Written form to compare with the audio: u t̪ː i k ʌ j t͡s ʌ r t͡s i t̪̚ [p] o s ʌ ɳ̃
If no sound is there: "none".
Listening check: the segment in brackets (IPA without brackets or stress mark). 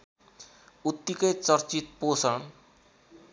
p